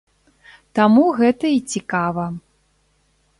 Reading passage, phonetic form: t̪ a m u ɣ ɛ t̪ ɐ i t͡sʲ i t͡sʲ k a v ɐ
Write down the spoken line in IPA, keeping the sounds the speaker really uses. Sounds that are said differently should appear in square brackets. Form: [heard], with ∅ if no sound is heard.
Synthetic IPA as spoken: t̪ a m u ɣ ɛ t̪ ɐ i t͡sʲ i [∅] k a v ɐ